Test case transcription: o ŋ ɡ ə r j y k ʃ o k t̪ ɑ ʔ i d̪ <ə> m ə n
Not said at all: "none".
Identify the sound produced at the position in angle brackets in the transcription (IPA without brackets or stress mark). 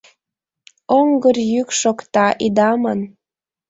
ɑ